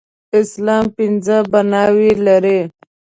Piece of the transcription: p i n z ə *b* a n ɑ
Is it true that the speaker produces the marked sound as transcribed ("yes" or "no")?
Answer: yes